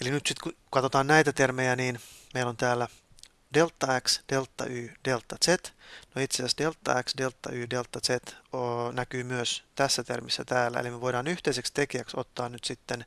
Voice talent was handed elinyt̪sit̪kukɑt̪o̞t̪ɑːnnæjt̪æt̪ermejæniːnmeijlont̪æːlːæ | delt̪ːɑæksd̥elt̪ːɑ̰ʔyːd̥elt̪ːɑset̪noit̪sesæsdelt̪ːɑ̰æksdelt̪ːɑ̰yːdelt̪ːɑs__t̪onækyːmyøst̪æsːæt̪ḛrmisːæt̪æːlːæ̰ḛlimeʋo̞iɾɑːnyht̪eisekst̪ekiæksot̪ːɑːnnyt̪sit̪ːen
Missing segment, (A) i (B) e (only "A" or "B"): B